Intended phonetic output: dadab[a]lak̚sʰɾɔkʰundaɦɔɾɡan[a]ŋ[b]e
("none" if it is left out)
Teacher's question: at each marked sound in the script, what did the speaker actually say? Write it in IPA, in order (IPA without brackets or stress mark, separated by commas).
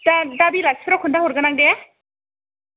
i, a, d